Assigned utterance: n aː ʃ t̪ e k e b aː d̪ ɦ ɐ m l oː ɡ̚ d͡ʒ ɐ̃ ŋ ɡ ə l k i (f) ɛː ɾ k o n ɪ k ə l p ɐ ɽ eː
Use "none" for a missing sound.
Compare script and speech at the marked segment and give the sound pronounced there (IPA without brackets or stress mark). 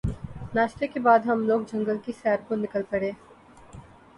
s